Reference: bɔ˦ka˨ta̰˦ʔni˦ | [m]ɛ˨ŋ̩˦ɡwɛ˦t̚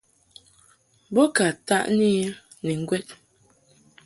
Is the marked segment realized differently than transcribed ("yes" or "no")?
yes